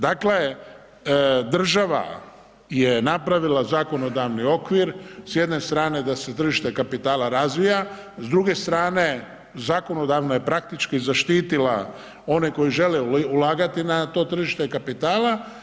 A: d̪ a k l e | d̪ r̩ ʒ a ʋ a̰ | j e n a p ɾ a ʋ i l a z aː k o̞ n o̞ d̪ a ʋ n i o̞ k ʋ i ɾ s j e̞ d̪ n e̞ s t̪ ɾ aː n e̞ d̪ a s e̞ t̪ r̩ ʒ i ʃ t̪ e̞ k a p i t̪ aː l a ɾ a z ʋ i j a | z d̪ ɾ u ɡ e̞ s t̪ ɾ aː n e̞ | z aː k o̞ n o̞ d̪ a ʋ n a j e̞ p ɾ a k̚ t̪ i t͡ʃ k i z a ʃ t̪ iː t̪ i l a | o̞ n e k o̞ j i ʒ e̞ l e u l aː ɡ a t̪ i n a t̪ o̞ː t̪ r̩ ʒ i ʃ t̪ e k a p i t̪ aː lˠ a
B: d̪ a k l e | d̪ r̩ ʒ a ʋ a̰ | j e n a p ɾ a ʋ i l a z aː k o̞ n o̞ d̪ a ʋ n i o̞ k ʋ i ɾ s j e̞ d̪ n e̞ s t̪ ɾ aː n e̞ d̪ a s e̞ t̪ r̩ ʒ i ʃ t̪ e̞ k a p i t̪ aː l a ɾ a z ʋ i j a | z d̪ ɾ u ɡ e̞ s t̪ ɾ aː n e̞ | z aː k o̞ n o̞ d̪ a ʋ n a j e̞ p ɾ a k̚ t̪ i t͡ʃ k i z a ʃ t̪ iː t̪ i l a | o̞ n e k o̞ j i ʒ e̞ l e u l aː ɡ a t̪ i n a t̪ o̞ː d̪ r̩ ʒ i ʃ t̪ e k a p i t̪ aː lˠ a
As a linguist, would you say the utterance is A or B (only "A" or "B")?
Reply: A